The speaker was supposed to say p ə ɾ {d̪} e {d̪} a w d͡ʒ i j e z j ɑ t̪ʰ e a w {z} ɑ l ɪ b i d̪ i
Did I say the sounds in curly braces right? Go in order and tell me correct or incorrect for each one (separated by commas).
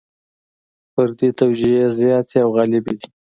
correct, incorrect, incorrect